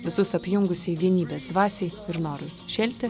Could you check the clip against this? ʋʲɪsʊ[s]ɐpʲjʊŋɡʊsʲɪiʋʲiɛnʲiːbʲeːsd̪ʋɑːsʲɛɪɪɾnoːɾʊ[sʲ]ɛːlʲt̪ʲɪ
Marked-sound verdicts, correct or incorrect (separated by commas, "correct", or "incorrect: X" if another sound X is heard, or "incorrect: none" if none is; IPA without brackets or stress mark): correct, incorrect: ʃʲ